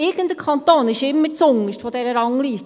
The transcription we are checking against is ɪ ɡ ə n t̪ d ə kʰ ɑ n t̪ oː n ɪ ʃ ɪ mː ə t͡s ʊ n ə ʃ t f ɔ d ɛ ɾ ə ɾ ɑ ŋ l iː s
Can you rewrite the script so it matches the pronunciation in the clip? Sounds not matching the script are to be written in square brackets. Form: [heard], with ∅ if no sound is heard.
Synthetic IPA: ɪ ɡ ə n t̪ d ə kʰ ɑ n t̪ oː n ɪ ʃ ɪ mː ə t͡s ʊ [ŋ] ə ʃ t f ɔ d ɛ ɾ ə ɾ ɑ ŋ l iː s